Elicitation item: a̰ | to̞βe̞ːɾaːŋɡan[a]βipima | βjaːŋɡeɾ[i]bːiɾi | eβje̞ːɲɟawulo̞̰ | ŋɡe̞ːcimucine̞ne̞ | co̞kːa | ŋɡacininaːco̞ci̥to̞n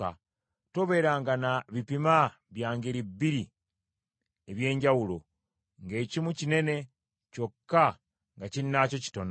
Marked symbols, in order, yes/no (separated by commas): yes, yes